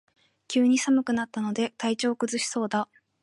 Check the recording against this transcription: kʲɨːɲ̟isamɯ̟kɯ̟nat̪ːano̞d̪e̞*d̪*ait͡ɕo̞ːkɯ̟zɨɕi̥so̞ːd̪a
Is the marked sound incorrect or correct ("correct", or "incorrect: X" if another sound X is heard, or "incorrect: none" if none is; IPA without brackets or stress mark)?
incorrect: t̪